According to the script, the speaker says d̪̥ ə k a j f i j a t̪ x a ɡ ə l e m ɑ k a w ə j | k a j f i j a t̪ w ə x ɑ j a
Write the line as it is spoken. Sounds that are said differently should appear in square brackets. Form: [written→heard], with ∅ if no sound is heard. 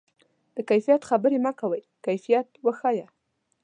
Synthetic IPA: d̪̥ ə k a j f i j a t̪ x a [ɡ→b] ə [l→ɾ] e m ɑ k a w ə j | k a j f i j a t̪ w ə x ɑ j a